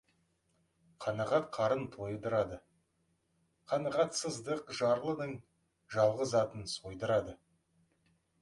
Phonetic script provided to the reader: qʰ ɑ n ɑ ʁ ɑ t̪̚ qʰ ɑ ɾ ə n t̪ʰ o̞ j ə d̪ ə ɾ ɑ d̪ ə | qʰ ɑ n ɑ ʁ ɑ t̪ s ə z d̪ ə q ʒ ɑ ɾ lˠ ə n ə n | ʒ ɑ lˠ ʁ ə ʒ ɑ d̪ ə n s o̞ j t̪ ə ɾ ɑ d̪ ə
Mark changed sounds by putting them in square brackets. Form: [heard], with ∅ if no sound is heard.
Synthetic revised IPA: qʰ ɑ n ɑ ʁ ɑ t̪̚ qʰ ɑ ɾ ə n t̪ʰ o̞ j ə d̪ ə ɾ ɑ d̪ ə | qʰ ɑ n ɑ ʁ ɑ t̪ s ə z d̪ ə q ʒ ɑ ɾ lˠ ə n ə [ɴ] | ʒ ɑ lˠ ʁ ə [z] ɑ [t̪] ə n s o̞ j [d̪] ə ɾ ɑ d̪ ə